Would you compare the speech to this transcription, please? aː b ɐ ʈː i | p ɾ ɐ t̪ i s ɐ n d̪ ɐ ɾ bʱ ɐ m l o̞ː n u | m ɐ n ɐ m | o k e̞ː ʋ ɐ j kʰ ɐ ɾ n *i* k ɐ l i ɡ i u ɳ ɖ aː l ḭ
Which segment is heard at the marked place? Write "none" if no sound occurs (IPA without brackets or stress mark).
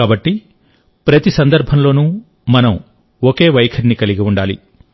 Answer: i